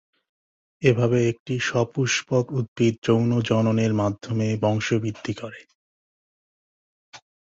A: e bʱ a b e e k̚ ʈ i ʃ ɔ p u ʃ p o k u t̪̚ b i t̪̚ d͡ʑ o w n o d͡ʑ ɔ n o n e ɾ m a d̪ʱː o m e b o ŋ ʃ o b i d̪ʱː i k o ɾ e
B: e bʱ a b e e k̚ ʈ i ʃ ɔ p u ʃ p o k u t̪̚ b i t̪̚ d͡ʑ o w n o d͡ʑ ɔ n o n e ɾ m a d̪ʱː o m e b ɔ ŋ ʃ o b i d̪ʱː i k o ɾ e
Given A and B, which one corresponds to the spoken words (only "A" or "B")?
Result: B